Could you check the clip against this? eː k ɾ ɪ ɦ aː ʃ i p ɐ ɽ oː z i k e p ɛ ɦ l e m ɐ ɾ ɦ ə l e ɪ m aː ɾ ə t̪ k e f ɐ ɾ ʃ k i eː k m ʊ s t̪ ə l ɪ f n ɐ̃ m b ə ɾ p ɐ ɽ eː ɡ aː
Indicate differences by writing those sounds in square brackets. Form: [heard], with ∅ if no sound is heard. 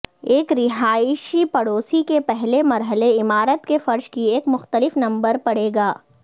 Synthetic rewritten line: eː k ɾ ɪ ɦ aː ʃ i p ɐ ɽ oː [s] i k e p ɛ ɦ l e m ɐ ɾ ɦ ə l e ɪ m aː ɾ ə t̪ k e f ɐ ɾ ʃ k i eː k m ʊ [x] t̪ ə l ɪ f n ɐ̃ m b ə ɾ p ɐ ɽ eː ɡ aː